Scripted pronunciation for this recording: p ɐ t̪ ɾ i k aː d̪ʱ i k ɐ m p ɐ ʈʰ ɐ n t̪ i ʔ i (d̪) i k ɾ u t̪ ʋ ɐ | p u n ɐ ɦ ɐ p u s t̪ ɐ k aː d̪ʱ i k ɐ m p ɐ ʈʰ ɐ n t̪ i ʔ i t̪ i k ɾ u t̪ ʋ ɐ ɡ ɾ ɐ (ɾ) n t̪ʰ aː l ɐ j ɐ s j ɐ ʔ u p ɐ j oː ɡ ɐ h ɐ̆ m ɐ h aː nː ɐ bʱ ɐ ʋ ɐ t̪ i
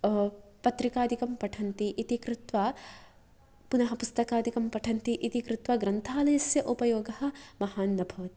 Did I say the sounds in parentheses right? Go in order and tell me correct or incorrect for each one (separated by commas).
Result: incorrect, incorrect